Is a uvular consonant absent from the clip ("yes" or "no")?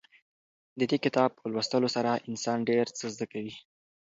yes